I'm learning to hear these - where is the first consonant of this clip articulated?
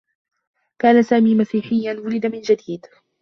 velum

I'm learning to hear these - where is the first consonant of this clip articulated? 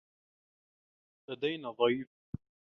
tongue tip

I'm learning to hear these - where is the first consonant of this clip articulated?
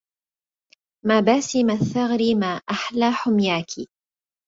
lips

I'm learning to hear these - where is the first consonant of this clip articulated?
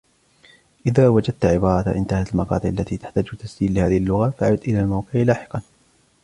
throat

